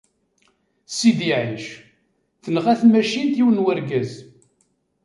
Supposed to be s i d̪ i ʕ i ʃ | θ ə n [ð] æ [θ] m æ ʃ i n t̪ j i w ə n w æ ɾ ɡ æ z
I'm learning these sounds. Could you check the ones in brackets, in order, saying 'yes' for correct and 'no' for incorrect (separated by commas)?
no, yes